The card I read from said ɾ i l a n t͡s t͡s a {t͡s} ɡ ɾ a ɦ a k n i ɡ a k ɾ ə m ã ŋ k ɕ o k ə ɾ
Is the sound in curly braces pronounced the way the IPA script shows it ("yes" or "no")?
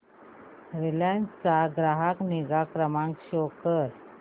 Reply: no